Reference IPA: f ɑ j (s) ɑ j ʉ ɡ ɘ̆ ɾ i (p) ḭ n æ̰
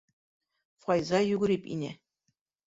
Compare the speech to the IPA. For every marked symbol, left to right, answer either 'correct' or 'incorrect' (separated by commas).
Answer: incorrect, correct